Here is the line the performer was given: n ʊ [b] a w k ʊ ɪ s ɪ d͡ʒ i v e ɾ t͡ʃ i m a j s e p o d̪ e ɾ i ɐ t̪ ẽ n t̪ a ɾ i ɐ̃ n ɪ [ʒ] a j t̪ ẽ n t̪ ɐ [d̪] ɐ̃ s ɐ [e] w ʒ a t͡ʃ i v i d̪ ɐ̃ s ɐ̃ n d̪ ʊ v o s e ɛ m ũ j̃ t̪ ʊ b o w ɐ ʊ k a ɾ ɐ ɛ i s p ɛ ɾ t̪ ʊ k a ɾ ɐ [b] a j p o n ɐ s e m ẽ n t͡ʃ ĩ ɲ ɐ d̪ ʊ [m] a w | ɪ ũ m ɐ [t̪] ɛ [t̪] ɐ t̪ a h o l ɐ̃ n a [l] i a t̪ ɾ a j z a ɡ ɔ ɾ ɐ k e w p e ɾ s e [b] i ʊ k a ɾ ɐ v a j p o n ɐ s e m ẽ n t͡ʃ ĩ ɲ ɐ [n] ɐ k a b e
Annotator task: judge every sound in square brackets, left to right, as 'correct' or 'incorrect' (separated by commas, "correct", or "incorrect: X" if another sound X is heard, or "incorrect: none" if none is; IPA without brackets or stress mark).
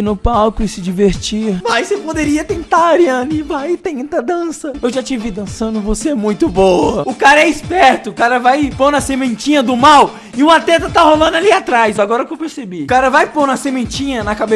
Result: incorrect: p, incorrect: v, correct, correct, incorrect: v, correct, correct, correct, correct, correct, correct